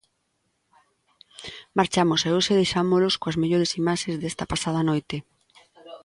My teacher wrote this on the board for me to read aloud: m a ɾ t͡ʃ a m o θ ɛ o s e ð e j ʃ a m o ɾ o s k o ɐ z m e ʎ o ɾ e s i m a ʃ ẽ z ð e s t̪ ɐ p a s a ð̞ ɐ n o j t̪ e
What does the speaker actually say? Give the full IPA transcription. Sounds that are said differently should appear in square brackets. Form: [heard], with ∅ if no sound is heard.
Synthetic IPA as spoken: m a ɾ t͡ʃ a m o [s] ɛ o s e ð e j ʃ a m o [l] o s k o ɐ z m e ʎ o ɾ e s i m a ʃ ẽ z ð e s t̪ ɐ p a s a ð̞ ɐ n o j t̪ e